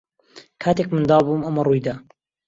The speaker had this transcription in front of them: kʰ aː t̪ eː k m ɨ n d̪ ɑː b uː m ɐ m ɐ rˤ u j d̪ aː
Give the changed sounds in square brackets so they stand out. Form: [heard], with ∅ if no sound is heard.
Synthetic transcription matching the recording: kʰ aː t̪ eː k m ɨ n d̪ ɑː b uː m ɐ m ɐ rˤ u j d̪ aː